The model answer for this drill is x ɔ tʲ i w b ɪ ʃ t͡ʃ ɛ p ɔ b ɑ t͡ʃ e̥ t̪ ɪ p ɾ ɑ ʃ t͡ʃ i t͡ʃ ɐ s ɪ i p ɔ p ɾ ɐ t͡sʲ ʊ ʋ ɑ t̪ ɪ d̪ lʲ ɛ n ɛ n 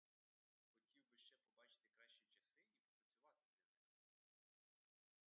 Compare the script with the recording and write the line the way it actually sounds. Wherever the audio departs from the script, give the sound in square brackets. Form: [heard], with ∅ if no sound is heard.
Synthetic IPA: x ɔ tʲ i w b ɪ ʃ t͡ʃ ɛ p ɔ b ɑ t͡ʃ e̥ t̪ ɪ [k] ɾ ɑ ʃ t͡ʃ i t͡ʃ ɐ s ɪ i p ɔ p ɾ ɐ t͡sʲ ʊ ʋ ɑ t̪ ɪ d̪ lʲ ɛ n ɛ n